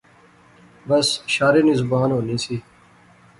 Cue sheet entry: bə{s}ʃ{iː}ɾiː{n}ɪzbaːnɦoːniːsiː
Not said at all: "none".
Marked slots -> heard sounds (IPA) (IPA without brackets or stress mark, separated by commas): s, aː, n